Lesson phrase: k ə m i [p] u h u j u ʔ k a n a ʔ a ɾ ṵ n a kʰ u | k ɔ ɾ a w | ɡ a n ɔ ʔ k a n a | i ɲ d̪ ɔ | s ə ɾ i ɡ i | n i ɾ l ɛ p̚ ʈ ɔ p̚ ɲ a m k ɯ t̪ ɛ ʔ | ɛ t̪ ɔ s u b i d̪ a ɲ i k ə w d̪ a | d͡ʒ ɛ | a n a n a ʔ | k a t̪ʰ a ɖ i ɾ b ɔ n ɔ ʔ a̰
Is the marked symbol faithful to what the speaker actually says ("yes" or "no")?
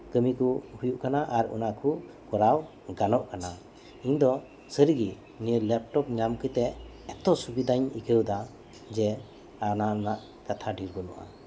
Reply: no